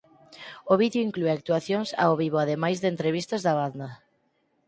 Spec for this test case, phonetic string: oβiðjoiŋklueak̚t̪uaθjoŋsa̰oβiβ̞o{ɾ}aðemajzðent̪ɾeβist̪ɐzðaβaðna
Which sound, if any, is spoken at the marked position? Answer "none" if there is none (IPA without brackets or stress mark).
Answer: none